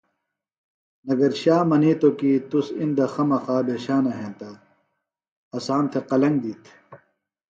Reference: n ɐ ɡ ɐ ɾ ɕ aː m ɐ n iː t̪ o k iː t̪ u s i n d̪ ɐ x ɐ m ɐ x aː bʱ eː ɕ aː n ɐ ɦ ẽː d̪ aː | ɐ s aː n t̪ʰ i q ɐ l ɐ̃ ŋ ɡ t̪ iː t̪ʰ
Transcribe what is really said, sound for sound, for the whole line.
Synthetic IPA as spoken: n ɐ ɡ ɐ ɾ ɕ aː m ɐ n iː t̪ o k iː t̪ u s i n d̪ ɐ x ɐ m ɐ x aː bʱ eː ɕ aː n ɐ ɦ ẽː t̪ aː | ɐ s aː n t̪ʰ e q ɐ l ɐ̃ ŋ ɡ d̪ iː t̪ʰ